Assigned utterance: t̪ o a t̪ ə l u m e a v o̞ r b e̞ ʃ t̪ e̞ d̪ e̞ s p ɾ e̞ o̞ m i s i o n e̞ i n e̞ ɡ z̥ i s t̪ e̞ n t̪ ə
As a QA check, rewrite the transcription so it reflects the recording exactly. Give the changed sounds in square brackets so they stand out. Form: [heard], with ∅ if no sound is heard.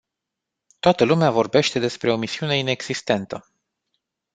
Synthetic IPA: t̪ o a t̪ ə l u m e a v o̞ r b e̞ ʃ t̪ e̞ d̪ e̞ s p ɾ e̞ o̞ m i s i [u] n e̞ i n e̞ ɡ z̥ i s t̪ e̞ n t̪ ə